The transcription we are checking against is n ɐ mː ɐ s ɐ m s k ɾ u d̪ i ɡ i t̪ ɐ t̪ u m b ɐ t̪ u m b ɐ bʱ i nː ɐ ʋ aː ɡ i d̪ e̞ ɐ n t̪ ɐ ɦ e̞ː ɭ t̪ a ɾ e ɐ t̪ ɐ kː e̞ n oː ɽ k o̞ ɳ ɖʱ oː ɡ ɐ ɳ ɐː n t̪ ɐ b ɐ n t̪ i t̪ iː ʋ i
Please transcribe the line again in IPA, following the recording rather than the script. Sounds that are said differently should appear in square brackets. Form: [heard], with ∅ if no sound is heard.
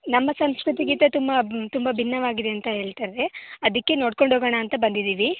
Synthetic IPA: n ɐ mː ɐ s ɐ m s k ɾ u [t̪] i ɡ i t̪ ɐ t̪ u m b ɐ t̪ u m b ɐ bʱ i nː ɐ ʋ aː ɡ i d̪ e̞ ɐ n t̪ ɐ ɦ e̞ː ɭ t̪ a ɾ e ɐ [d̪] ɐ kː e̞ n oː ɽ k o̞ ɳ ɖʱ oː ɡ ɐ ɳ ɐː n t̪ ɐ b ɐ n [d̪] i [d̪] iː ʋ i